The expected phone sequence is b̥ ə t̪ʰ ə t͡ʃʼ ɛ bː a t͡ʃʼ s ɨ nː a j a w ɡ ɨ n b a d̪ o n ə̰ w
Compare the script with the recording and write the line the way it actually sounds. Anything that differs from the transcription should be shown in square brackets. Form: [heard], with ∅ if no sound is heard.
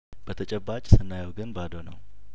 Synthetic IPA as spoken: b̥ ə t̪ʰ ə t͡ʃʼ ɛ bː a t͡ʃʼ s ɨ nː a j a w ɡ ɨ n b a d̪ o n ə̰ w